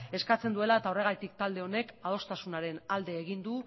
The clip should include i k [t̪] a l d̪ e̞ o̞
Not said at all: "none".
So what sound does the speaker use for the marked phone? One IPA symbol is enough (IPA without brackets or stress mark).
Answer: t̪